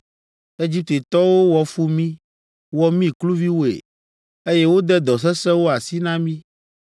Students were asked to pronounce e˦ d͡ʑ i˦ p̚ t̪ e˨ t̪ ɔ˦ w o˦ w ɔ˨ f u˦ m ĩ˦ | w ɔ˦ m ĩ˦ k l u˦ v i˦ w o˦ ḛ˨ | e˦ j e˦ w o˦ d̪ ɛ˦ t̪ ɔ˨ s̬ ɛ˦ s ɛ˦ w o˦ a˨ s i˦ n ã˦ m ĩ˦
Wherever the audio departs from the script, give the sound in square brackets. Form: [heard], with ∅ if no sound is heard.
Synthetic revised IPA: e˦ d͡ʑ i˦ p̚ t̪ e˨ t̪ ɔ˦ w o˦ w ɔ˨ f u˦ m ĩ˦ | w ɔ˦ m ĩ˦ k l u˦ v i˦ w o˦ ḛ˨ | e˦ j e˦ w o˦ d̪ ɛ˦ [d̪] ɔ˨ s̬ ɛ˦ s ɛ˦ w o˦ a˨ s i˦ n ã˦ m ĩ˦